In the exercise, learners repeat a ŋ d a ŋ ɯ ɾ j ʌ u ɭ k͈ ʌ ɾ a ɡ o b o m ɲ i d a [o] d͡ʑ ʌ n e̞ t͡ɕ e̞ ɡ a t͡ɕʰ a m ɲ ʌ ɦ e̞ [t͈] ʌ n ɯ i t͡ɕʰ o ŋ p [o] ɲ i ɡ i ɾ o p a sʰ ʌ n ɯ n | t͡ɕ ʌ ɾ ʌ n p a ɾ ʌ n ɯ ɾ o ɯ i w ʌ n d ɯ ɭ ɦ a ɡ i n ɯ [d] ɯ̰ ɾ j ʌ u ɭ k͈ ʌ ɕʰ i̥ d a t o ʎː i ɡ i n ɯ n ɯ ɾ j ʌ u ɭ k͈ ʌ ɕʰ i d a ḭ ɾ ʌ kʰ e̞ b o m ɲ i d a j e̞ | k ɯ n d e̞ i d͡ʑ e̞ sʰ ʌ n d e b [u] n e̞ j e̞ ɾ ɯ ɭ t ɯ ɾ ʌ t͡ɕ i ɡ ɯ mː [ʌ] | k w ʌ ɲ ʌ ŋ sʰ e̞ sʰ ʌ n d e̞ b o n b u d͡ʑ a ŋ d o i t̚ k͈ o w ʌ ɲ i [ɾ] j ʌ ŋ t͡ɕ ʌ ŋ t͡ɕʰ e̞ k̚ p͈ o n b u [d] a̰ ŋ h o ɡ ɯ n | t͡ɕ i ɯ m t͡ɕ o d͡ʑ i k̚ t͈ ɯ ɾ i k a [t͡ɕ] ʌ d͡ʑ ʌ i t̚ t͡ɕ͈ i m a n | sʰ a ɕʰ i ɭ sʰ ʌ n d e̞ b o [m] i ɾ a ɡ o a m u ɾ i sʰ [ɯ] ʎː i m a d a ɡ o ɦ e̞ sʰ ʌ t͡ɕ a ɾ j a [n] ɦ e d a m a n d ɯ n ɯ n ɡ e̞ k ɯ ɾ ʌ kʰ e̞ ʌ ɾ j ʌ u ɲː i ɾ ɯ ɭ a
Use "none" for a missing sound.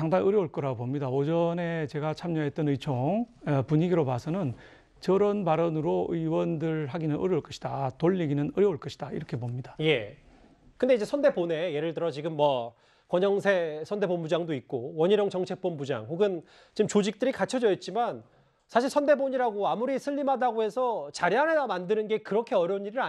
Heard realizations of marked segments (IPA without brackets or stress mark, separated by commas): o, t͈, u, n, o, ʌ, ɾ, d͡ʑ, t͡ɕʰ, ɲ, ɯ, n